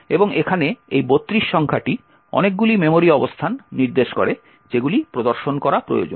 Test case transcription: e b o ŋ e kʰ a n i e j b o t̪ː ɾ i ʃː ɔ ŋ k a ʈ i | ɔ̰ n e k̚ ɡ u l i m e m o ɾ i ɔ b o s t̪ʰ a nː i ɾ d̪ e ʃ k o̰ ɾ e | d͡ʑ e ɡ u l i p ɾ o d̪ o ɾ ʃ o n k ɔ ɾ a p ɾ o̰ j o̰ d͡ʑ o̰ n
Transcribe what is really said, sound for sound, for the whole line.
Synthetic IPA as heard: e b o ŋ e kʰ a n e e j b o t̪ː ɾ i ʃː ɔ ŋ kʰ a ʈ i | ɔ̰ n e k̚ ɡ u l i m e m o ɾ i ɔ b o s t̪ʰ a nː i ɾ d̪ e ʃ k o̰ ɾ e | d͡ʑ e ɡ u l i p ɾ o d̪ o ɾ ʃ o n k ɔ ɾ a p ɾ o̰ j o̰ d͡ʑ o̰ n